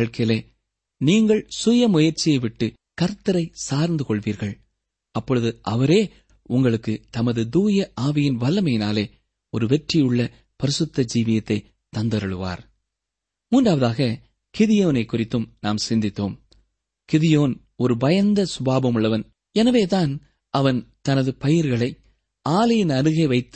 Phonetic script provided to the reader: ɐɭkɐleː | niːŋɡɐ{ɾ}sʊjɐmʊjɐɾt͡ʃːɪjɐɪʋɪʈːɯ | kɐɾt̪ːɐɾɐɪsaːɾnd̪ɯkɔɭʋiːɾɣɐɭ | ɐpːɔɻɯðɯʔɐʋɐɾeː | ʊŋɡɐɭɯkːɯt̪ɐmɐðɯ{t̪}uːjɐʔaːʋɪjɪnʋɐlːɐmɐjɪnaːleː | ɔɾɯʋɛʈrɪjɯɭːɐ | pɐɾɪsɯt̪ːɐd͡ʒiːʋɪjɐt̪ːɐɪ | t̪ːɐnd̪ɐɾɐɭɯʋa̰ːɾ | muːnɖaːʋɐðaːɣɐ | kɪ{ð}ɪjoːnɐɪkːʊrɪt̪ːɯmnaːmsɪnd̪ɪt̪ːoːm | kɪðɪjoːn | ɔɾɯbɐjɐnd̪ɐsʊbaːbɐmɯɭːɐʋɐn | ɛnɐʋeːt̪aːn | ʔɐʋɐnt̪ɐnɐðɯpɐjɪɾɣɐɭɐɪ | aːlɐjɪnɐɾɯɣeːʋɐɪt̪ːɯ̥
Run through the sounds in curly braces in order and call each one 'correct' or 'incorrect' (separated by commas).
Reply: incorrect, incorrect, correct